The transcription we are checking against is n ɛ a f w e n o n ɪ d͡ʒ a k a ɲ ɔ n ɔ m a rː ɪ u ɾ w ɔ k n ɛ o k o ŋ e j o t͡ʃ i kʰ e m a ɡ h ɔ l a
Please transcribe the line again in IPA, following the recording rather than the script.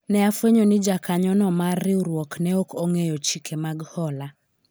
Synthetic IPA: n ɛ a f w e ɲ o n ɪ d͡ʒ a k a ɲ ɔ n ɔ m a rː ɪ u ɾ w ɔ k n ɛ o k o ŋ e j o t͡ʃ i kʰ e m a ɡ h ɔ l a